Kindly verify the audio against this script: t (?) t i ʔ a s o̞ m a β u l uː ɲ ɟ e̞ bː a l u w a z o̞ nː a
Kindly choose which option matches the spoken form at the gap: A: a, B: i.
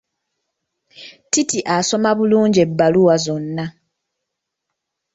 B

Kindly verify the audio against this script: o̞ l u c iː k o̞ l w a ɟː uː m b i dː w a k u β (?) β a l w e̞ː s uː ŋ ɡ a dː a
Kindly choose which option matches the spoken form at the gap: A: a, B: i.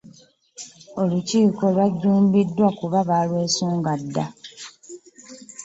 A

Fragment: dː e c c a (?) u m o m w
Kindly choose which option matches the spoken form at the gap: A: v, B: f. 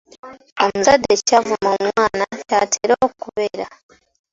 A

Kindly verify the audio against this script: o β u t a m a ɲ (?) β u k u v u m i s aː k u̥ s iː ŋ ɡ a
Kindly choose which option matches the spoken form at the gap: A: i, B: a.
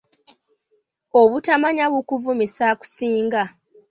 B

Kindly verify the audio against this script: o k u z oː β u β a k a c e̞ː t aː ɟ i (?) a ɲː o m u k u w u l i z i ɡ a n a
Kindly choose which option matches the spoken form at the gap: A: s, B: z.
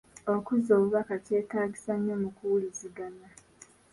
A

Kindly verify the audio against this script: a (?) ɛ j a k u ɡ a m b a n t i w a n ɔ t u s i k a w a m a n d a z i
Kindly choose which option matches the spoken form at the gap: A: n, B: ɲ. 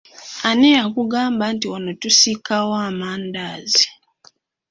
A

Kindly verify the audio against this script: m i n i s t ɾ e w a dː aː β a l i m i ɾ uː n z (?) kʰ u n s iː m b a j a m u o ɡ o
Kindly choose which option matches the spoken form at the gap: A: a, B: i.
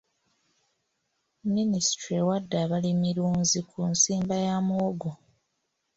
B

